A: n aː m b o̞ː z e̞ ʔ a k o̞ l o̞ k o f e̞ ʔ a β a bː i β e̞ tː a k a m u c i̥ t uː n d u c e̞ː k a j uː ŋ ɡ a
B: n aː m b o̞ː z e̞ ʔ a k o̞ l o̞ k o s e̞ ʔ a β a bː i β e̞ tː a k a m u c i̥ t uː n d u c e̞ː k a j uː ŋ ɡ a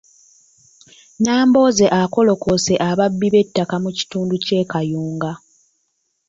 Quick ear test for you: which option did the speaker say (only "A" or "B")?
B